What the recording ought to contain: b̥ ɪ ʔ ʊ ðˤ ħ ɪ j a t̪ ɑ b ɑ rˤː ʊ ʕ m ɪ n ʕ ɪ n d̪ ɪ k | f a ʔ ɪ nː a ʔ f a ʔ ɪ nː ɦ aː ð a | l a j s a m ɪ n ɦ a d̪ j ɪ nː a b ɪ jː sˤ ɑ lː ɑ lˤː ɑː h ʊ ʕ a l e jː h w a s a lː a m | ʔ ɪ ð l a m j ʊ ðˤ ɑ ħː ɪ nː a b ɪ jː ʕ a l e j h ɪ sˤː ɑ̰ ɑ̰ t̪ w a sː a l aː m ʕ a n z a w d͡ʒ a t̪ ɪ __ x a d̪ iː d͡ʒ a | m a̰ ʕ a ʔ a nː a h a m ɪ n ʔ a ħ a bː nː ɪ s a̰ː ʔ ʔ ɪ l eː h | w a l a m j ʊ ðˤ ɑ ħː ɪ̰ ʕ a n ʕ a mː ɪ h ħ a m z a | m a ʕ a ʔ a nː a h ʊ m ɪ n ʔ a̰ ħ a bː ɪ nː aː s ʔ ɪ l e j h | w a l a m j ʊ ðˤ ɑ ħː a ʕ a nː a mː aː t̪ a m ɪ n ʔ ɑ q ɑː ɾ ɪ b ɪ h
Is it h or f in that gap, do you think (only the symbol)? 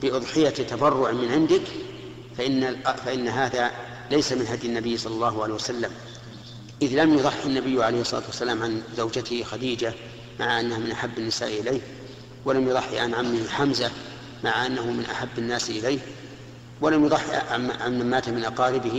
h